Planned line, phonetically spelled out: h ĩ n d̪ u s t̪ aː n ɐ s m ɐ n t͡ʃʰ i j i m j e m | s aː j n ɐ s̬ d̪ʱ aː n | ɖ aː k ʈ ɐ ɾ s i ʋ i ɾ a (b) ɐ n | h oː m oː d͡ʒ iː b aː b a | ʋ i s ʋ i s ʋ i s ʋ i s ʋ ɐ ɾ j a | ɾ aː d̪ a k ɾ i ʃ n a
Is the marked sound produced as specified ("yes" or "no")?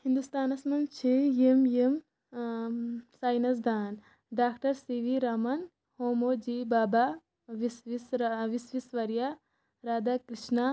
no